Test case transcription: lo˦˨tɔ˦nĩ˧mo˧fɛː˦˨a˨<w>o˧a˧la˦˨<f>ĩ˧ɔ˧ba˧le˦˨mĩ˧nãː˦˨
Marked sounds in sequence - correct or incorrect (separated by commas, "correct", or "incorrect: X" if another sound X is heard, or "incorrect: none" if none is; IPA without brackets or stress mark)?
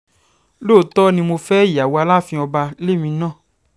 correct, correct